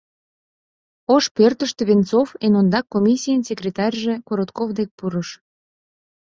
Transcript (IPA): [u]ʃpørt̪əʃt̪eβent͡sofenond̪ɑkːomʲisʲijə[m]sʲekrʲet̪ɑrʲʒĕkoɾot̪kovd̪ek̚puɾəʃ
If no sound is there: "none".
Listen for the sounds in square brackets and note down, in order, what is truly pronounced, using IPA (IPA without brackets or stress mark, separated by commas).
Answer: o, n